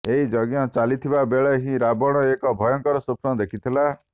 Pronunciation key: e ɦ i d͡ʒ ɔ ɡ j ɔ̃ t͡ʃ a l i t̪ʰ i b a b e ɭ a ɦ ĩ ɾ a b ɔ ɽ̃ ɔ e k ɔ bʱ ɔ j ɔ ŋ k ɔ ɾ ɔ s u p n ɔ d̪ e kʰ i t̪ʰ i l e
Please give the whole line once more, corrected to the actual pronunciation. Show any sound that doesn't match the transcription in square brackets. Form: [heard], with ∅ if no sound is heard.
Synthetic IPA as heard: e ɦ i d͡ʒ ɔ ɡ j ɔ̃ t͡ʃ a l i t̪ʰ i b a b e ɭ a ɦ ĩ ɾ a b ɔ ɽ̃ ɔ e k ɔ bʱ ɔ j ɔ ŋ k ɔ ɾ ɔ s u p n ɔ d̪ e kʰ i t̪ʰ i l [a]

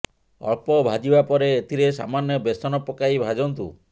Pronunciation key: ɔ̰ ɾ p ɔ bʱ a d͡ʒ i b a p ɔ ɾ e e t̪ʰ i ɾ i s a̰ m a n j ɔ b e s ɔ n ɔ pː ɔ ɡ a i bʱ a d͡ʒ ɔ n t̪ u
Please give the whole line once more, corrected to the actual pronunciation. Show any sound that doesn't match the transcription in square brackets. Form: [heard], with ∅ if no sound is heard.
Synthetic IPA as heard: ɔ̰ [ɭ] p ɔ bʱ a d͡ʒ i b a p ɔ ɾ e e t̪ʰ i ɾ [e] s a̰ m a n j ɔ b e s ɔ n ɔ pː ɔ [k] a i bʱ a d͡ʒ ɔ n t̪ u

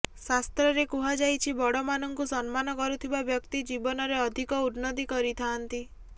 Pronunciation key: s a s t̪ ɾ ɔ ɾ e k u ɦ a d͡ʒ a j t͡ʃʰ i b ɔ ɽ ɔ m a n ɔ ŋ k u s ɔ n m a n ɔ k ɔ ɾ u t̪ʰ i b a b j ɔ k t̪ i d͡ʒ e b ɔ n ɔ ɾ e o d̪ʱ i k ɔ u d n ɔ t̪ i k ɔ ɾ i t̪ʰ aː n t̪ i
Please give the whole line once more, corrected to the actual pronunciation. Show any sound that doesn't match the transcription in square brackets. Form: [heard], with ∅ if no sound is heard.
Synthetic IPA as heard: s a s t̪ ɾ ɔ ɾ e k u ɦ a d͡ʒ a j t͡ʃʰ i b ɔ ɽ ɔ m a n ɔ ŋ k u s ɔ n m a n ɔ k ɔ ɾ u t̪ʰ i b a b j ɔ k t̪ i d͡ʒ [i] b ɔ n ɔ ɾ e [ɔ] d̪ʱ i k ɔ u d n ɔ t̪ i k ɔ ɾ i t̪ʰ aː n t̪ i

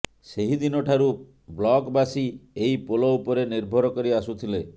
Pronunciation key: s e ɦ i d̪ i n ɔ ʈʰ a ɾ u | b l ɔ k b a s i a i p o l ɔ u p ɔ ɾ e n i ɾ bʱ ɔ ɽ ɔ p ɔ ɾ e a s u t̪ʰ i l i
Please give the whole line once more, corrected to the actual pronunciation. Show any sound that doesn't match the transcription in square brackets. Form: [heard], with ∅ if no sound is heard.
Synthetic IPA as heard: s e ɦ i d̪ i n ɔ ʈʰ a ɾ u | b l ɔ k b a s i [e] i p o l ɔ u p ɔ ɾ e n i ɾ bʱ ɔ [ɾ] ɔ [k] ɔ ɾ [i] a s u t̪ʰ i l [e]

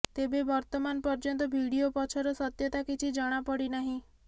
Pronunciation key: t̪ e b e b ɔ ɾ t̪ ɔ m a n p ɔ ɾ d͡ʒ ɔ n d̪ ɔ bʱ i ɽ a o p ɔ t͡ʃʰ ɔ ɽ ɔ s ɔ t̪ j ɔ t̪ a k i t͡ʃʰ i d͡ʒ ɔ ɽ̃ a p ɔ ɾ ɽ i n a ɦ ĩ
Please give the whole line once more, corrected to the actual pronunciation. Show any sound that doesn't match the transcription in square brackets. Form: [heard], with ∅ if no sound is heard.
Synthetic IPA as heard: t̪ e b e b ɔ ɾ t̪ ɔ m a n p ɔ ɾ d͡ʒ ɔ n [t̪] ɔ bʱ i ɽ [i] o p ɔ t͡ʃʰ ɔ [ɾ] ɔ s ɔ t̪ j ɔ t̪ a k i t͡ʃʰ i d͡ʒ ɔ ɽ̃ a p ɔ [∅] ɽ i n a ɦ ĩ

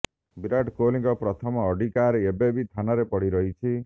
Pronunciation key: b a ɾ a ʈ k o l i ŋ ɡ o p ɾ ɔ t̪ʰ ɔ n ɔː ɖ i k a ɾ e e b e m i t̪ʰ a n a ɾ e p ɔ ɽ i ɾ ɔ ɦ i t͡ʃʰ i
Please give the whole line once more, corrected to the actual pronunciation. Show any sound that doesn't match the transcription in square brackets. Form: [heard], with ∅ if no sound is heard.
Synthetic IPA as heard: b [i] ɾ a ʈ k o l i ŋ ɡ [ɔ] p ɾ ɔ t̪ʰ ɔ [m] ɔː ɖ i k a ɾ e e b e [b] i t̪ʰ a n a ɾ e p ɔ ɽ i ɾ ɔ ɦ i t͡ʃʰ i

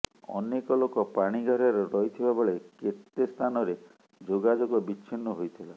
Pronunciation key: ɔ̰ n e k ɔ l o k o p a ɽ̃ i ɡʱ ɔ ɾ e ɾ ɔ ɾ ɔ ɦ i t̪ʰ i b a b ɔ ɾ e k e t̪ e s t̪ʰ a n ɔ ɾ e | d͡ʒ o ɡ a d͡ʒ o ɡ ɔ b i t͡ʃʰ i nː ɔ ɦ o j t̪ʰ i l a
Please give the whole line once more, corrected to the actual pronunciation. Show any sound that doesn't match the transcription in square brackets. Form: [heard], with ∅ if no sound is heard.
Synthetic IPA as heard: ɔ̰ n e k ɔ l o k [ɔ] p a ɽ̃ i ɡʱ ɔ ɾ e ɾ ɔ ɾ ɔ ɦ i t̪ʰ i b a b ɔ [ɭ] e k e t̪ e s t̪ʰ a n ɔ ɾ e | d͡ʒ o ɡ a d͡ʒ o ɡ ɔ b i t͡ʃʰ i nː ɔ ɦ o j t̪ʰ i l a

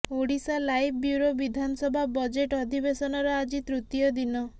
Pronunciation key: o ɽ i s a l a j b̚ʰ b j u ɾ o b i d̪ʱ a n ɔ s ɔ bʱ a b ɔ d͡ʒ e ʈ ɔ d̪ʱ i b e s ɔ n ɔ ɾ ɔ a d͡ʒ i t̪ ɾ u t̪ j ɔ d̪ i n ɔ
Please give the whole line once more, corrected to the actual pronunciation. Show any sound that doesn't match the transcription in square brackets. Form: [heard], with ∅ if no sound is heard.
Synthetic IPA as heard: o ɽ i s a l a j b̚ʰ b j u ɾ o b i d̪ʱ a n ɔ s ɔ bʱ a b ɔ d͡ʒ e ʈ ɔ d̪ʱ i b e s ɔ n ɔ ɾ ɔ a d͡ʒ i t̪ ɾ u t̪ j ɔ d̪ i n ɔ

